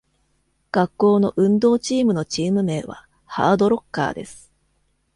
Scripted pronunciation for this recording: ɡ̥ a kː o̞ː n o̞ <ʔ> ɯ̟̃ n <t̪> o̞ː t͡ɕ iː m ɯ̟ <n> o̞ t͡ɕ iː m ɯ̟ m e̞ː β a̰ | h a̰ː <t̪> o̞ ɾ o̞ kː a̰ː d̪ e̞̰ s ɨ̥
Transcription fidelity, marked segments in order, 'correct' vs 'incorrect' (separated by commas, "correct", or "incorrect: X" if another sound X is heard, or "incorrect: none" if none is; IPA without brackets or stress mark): correct, incorrect: d̪, correct, incorrect: d̪